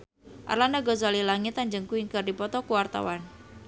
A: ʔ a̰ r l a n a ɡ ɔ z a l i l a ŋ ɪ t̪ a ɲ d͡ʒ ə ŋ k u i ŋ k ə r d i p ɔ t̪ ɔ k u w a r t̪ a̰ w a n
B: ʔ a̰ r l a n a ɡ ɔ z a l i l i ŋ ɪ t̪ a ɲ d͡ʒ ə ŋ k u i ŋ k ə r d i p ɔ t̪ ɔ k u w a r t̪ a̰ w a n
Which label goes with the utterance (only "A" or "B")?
A